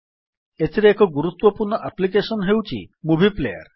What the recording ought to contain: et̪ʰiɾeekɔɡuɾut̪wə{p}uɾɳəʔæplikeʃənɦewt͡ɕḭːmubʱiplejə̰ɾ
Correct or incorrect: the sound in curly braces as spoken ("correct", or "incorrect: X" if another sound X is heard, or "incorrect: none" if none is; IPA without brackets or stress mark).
correct